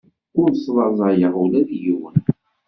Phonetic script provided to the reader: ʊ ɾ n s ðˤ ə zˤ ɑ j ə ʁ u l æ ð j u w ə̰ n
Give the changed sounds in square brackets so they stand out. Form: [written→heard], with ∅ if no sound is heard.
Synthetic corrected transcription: ʊ ɾ n s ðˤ [ə→ɑ] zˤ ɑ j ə ʁ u l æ ð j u w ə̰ n